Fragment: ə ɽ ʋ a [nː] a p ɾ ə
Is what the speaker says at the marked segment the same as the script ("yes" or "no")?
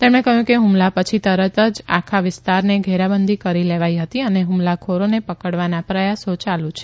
no